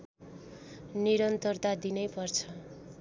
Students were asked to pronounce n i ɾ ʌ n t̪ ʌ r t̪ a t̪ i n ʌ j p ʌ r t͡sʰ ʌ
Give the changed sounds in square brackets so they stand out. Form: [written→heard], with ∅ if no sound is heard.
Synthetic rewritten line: n i ɾ ʌ n t̪ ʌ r t̪ a [t̪→d̪] i n ʌ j p ʌ r t͡sʰ ʌ

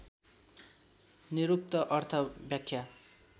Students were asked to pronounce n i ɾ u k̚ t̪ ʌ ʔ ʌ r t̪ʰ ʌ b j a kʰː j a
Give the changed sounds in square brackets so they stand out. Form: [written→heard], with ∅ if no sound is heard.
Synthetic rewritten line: n i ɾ u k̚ t̪ ʌ ʔ ʌ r t̪ʰ ʌ b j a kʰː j a

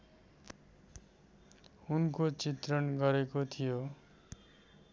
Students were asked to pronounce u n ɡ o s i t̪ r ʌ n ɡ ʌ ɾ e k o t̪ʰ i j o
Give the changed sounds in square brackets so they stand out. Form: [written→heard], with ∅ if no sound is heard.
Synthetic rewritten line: u n [ɡ→k] o [s→t͡s] i t̪ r ʌ n ɡ ʌ ɾ e k o t̪ʰ i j o

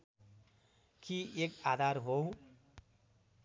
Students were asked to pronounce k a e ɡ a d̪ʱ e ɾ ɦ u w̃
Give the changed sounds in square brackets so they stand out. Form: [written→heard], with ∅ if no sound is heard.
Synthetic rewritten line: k [a→i] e [ɡ→k] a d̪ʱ [e→a] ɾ ɦ [u→o] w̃

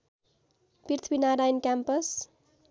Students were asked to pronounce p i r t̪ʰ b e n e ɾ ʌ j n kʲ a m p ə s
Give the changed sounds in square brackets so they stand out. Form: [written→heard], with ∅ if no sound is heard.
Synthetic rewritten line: p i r t̪ʰ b [e→i] n [e→a] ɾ [ʌ→a] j n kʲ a m p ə s

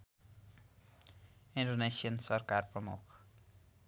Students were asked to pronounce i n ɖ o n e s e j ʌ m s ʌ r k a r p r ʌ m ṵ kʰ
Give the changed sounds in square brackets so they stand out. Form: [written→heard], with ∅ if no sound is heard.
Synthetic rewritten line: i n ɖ o n e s [e→i] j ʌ [m→n] s ʌ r k a r p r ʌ m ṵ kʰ

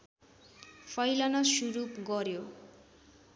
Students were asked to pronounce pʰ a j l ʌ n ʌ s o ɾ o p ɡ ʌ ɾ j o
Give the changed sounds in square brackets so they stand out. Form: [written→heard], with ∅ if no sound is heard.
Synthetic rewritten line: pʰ [a→ʌ] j l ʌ n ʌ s [o→u] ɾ [o→u] p ɡ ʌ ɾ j o

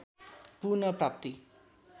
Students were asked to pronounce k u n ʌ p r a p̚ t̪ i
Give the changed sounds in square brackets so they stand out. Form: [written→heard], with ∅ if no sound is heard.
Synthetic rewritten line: [k→p] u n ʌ p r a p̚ t̪ i

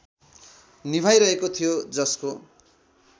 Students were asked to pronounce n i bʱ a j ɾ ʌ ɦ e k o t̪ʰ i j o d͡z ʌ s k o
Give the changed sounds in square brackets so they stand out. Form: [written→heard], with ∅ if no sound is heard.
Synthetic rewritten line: n i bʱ a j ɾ ʌ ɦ e k o t̪ʰ i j o d͡z ʌ s k o

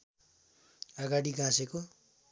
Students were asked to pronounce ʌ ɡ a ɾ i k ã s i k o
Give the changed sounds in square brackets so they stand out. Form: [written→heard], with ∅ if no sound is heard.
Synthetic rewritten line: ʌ ɡ a [ɾ→ɽ] i [k→ɡ] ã s [i→e] k o

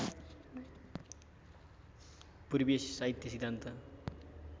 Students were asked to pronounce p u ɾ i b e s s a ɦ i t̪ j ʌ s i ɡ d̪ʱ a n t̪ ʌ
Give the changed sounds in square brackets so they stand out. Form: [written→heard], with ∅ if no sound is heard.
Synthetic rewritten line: p u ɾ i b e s s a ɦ i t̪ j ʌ s i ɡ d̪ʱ a n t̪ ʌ

